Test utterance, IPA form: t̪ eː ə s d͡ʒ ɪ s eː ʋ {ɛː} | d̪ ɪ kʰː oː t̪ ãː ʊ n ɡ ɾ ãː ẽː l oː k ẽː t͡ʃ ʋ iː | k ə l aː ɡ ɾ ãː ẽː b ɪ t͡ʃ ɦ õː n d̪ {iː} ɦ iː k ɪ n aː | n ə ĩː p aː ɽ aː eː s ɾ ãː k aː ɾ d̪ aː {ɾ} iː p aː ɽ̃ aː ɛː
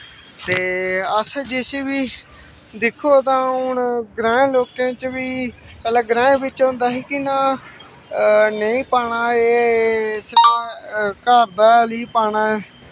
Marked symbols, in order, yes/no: no, no, no

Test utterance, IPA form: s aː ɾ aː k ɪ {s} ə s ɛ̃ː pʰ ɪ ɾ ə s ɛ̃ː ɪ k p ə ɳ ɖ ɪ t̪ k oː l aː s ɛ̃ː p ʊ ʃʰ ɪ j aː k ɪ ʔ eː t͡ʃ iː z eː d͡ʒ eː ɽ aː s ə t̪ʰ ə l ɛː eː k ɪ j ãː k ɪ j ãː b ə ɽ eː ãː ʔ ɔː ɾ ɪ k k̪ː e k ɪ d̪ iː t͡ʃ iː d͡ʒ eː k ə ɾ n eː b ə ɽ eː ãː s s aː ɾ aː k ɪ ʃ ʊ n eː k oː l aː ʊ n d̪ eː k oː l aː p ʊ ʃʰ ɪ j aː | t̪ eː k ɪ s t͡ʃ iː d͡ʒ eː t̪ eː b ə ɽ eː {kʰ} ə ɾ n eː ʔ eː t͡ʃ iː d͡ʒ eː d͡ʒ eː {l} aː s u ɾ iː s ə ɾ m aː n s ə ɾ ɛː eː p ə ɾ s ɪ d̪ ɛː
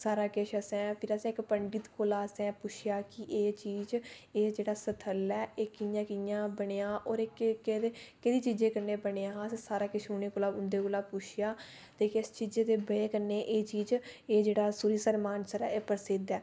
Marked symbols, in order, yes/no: no, no, no

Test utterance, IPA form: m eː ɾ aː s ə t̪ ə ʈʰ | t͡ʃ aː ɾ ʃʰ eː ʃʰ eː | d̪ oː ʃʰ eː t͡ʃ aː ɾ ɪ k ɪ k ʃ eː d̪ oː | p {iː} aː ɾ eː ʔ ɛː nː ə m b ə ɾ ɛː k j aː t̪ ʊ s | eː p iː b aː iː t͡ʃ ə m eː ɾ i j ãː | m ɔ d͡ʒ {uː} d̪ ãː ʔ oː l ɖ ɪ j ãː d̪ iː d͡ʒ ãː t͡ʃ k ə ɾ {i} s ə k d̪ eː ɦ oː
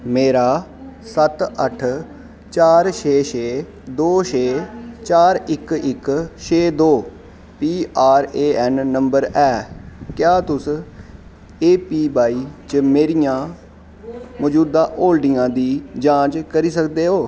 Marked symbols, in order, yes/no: yes, yes, no

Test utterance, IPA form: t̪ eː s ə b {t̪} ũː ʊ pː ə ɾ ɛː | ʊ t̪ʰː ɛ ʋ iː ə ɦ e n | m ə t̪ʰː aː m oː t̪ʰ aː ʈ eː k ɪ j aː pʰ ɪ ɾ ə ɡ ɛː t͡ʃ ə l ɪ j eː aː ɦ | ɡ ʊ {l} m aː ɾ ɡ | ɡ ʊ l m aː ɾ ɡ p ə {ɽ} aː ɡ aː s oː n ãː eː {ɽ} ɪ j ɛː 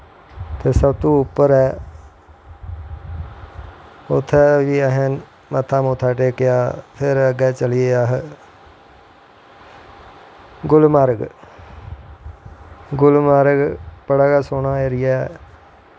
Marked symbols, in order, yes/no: yes, yes, yes, no

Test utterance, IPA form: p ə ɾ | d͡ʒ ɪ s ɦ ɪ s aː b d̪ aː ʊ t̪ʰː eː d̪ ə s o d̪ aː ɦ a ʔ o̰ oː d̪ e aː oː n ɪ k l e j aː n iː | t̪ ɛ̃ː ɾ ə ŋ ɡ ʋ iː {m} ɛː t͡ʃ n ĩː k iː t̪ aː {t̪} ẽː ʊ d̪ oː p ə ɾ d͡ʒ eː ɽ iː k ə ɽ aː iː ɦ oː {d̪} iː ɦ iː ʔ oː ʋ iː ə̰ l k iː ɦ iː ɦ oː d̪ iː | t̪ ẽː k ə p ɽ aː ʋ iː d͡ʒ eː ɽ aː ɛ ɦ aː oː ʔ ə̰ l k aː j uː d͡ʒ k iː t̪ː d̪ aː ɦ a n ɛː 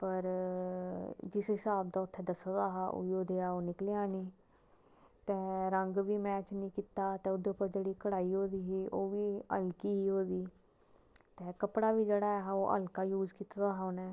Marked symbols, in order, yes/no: yes, yes, yes

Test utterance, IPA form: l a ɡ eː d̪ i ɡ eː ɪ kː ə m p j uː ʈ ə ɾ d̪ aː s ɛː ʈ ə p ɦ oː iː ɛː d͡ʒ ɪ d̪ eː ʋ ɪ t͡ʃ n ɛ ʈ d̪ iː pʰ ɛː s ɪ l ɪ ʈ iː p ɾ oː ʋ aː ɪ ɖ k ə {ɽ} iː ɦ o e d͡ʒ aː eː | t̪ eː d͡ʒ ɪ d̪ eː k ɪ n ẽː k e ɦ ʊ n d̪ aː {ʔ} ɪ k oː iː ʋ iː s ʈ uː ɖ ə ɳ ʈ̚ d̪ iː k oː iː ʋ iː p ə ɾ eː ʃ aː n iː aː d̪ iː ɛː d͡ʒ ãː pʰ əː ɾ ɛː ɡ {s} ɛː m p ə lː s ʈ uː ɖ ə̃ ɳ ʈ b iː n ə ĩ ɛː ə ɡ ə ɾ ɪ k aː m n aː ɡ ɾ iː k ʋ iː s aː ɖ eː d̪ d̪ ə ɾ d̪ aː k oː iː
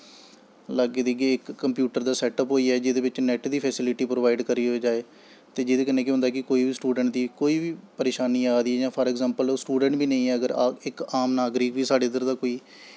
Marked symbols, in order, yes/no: no, no, no

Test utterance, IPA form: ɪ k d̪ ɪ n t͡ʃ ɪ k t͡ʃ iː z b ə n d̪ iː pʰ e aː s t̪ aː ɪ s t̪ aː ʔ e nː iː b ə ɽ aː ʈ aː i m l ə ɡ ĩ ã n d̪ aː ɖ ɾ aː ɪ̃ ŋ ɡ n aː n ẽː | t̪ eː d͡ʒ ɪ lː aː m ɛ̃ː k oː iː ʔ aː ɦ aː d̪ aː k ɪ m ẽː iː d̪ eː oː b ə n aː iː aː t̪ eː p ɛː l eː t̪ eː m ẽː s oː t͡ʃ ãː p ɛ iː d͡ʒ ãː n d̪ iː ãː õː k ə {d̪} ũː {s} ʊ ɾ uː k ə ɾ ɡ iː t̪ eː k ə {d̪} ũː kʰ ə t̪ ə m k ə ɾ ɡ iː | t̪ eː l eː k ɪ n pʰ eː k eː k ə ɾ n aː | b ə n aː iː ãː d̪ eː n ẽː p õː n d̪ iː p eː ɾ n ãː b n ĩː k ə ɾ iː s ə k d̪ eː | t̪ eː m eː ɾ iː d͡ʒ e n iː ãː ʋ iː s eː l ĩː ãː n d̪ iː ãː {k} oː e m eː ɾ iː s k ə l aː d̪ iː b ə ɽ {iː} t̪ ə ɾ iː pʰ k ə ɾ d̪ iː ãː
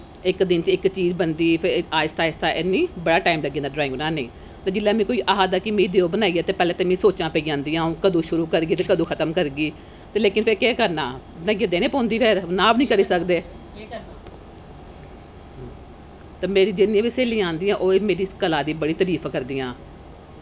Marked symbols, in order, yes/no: yes, no, yes, no, yes

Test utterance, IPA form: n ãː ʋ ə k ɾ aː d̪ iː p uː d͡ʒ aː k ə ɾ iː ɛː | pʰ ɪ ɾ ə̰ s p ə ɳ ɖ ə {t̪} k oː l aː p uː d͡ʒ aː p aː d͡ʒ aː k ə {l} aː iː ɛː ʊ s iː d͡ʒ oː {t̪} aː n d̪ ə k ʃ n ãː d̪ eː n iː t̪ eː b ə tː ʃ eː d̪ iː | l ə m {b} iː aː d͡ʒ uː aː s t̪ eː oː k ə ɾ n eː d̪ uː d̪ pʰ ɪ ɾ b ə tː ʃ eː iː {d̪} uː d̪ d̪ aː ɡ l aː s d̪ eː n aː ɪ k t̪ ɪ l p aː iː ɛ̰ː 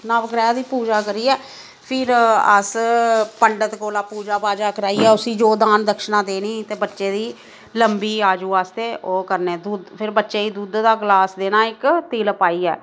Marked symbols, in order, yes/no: yes, no, no, yes, yes

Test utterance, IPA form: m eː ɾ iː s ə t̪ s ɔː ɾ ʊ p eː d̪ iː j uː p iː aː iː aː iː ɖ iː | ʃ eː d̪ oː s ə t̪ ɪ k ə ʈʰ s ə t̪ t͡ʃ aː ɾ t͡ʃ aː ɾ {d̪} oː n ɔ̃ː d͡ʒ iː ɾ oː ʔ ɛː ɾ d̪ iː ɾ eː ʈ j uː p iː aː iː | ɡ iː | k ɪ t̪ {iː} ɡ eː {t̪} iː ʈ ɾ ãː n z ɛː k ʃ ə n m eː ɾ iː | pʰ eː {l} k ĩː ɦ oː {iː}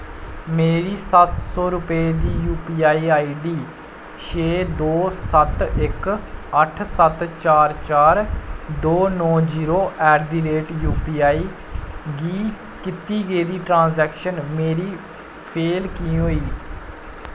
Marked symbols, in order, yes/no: yes, yes, no, yes, yes

